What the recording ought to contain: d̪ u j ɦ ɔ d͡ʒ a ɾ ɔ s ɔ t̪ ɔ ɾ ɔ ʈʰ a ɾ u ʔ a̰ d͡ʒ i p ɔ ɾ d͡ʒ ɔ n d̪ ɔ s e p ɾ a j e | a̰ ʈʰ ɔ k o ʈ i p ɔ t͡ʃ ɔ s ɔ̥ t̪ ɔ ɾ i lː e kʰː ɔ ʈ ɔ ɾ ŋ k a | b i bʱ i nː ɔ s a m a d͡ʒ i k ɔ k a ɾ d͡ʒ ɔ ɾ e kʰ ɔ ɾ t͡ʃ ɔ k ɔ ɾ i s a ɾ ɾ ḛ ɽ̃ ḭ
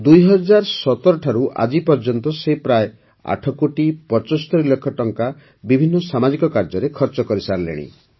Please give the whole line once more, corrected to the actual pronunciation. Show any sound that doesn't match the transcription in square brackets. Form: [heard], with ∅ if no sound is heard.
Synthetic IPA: d̪ u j ɦ ɔ d͡ʒ a ɾ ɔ s ɔ t̪ ɔ ɾ ɔ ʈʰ a ɾ u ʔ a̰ d͡ʒ i p ɔ ɾ d͡ʒ ɔ n [t̪] ɔ s e p ɾ a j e | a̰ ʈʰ ɔ k o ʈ i p ɔ t͡ʃ ɔ s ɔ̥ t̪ ɔ ɾ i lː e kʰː ɔ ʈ ɔ [∅] ŋ k a | b i bʱ i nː ɔ s a m a d͡ʒ i k ɔ k a ɾ d͡ʒ ɔ ɾ e kʰ ɔ ɾ t͡ʃ ɔ k ɔ ɾ i s a ɾ [l] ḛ ɽ̃ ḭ